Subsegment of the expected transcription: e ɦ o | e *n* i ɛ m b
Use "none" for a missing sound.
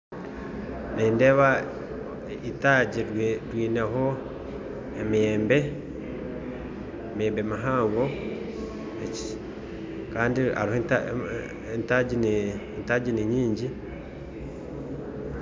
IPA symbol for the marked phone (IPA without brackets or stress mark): m